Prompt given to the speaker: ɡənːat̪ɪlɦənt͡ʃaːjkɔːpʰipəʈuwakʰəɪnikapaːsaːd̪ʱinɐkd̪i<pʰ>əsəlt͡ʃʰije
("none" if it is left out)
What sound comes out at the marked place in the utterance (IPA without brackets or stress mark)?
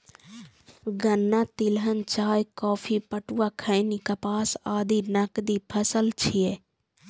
pʰ